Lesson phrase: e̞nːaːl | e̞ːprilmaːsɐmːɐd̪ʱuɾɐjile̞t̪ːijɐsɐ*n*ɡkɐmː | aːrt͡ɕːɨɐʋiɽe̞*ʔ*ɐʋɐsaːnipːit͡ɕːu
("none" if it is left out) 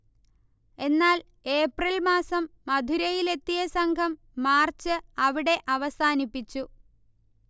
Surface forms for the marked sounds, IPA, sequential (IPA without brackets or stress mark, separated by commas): ŋ, ʔ